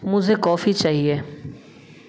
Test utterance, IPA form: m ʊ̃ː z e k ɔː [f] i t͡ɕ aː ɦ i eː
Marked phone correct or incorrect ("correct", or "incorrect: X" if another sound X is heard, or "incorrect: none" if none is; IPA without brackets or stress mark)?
correct